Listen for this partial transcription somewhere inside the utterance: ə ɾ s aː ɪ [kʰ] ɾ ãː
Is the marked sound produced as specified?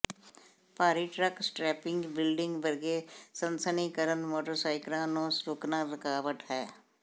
no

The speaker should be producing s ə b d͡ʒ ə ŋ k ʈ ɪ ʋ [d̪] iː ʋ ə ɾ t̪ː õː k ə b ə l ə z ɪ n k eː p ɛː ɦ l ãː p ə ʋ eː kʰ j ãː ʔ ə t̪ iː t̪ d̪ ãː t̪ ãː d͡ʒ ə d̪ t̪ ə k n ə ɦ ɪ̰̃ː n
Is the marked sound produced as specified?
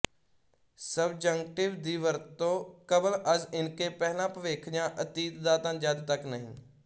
yes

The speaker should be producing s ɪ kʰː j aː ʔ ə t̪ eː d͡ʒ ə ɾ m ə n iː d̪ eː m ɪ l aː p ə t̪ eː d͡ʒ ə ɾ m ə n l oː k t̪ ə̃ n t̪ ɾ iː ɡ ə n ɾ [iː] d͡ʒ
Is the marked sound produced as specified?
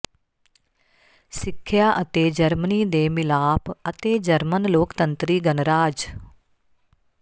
no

